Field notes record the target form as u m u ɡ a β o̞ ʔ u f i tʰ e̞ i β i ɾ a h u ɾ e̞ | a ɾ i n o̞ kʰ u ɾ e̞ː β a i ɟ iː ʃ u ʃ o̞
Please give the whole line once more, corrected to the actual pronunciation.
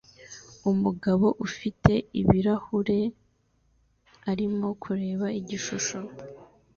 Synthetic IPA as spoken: u m u ɡ a β o̞ ʔ u f i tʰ e̞ i β i ɾ a h u ɾ e̞ | a ɾ i m o̞ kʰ u ɾ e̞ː β a i ɟ i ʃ u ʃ o̞